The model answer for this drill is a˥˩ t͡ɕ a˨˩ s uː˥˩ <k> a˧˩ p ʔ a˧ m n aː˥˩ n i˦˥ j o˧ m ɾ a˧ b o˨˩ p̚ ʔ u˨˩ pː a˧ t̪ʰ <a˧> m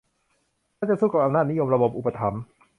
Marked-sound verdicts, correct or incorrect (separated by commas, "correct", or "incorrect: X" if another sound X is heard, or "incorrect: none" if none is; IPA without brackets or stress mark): correct, incorrect: a˩˦